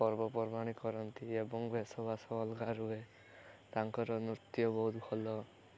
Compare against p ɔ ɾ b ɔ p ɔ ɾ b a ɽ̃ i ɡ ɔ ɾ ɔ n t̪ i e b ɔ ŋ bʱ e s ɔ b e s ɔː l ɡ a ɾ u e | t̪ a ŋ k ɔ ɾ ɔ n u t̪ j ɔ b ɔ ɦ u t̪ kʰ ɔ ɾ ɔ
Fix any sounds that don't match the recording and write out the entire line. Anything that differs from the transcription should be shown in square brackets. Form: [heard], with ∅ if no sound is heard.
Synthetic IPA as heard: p ɔ ɾ b ɔ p ɔ ɾ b a ɽ̃ i [k] ɔ ɾ ɔ n t̪ i e b ɔ ŋ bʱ e s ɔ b [a] s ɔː l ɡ a ɾ u e | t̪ a ŋ k ɔ ɾ ɔ n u t̪ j ɔ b ɔ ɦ u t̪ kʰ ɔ [l] ɔ